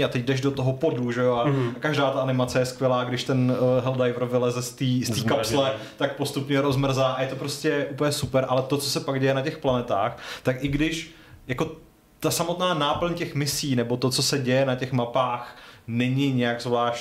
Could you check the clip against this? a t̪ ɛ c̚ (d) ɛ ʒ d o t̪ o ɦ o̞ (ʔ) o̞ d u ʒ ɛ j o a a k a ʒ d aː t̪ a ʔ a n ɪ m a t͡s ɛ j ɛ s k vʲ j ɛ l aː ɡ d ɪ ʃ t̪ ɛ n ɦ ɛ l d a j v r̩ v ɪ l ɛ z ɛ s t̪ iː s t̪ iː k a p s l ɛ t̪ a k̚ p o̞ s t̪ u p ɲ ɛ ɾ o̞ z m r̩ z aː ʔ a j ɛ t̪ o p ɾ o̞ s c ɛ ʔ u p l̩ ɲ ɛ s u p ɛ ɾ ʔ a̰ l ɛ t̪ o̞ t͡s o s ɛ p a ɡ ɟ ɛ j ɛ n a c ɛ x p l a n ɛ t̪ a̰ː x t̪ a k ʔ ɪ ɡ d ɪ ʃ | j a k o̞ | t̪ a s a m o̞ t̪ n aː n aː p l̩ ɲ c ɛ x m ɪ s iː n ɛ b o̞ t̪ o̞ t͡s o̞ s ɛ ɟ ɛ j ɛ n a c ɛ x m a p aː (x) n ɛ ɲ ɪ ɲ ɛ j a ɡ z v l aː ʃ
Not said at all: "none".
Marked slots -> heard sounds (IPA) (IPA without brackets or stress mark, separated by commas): d, p, x